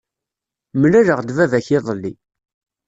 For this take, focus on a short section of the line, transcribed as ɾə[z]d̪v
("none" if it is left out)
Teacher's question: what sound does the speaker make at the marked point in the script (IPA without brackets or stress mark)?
ʁ